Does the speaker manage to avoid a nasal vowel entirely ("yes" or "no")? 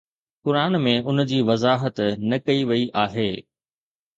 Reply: no